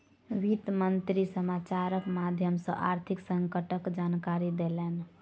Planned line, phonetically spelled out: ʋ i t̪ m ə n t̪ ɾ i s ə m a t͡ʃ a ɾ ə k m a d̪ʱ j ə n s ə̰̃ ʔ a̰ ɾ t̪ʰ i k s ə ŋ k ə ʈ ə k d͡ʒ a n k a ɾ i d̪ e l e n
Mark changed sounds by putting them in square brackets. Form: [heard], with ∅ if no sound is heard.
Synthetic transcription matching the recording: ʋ i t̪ m ə n t̪ ɾ i s ə m a t͡ʃ a ɾ ə k m a d̪ʱ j ə [m] s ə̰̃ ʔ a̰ ɾ t̪ʰ i k s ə ŋ k ə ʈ ə k d͡ʒ a n k a ɾ i d̪ e l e n